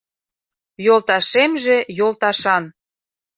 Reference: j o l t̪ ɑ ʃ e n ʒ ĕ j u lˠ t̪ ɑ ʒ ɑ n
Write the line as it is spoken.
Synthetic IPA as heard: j o l t̪ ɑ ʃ e m ʒ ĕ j o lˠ t̪ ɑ ʃ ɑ n